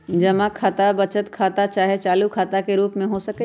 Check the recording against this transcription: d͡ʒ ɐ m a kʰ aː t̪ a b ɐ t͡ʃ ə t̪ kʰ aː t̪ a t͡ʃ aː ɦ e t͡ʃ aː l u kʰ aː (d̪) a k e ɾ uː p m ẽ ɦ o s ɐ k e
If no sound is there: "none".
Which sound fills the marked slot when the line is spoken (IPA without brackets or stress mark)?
t̪